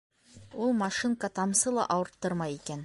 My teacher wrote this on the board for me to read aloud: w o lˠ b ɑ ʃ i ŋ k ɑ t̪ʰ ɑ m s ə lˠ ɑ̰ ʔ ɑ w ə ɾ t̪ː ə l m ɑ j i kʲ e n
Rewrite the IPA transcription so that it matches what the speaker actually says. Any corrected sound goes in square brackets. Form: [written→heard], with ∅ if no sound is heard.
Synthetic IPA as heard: w o lˠ [b→m] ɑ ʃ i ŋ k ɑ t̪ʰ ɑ m s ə lˠ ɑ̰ ʔ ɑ w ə ɾ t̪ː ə [l→ɾ] m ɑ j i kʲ e n

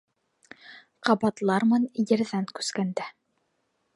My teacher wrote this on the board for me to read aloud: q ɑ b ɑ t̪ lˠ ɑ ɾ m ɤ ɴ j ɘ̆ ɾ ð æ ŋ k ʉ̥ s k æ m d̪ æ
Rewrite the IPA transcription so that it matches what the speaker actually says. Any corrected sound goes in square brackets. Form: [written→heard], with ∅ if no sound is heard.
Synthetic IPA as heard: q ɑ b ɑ t̪ lˠ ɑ ɾ m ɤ [ɴ→n] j ɘ̆ ɾ ð æ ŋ k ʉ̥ s k æ [m→n] d̪ æ

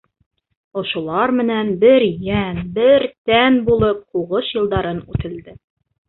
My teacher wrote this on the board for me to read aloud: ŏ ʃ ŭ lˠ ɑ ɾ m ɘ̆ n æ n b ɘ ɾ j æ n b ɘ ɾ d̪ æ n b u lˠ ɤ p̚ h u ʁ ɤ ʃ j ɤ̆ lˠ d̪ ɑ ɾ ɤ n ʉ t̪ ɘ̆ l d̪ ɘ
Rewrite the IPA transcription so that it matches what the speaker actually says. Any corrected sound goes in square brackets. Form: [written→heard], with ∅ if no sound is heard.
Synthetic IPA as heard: ŏ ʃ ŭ lˠ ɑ ɾ m ɘ̆ n æ n b ɘ ɾ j æ n b ɘ ɾ [d̪→t̪] æ n b u lˠ ɤ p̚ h u ʁ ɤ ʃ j ɤ̆ lˠ d̪ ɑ ɾ ɤ n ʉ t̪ ɘ̆ l d̪ ɘ

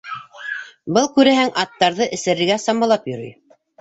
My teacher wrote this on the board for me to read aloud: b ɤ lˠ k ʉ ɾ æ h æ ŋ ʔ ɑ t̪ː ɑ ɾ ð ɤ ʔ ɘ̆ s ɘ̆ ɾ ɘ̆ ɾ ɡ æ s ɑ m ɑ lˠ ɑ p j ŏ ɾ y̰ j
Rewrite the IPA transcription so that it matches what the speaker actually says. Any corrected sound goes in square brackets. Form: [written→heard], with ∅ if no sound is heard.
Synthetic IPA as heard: b ɤ lˠ k ʉ ɾ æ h æ ŋ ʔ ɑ t̪ː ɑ ɾ ð ɤ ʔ ɘ̆ s ɘ̆ ɾ ɘ̆ ɾ ɡ æ s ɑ m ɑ lˠ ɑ p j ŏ ɾ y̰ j

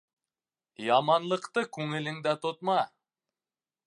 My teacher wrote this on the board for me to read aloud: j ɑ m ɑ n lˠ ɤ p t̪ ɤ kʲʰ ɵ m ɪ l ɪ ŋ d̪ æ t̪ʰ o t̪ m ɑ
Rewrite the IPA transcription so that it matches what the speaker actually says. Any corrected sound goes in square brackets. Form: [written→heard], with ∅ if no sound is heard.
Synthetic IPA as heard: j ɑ m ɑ n lˠ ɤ [p→q] t̪ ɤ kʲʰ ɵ [m→ŋ] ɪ l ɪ ŋ d̪ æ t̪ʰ o t̪ m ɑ

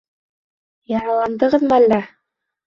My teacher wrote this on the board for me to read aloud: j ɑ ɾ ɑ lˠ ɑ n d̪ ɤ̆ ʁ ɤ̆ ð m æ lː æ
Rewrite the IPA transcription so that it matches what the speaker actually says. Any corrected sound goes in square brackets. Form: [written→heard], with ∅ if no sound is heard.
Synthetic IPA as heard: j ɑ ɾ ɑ lˠ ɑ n d̪ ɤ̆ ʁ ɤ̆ ð m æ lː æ

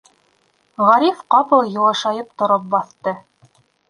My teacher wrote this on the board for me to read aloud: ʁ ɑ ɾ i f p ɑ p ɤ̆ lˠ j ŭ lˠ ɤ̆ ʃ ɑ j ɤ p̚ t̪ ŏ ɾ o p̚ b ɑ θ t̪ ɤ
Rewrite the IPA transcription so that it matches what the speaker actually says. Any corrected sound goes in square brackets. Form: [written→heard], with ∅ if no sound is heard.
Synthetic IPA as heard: ʁ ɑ ɾ i f [p→q] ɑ p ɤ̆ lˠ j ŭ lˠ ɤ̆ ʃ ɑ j ɤ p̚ t̪ ŏ ɾ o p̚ b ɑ θ t̪ ɤ

